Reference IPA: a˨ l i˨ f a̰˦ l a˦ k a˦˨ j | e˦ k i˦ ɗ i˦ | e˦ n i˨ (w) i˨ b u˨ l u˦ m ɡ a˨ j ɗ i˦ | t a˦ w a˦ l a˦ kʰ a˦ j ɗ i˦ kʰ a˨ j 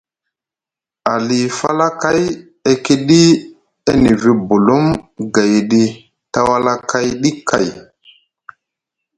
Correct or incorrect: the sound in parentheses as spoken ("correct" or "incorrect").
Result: incorrect